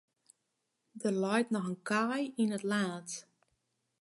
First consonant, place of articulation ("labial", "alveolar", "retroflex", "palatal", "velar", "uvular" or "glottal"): alveolar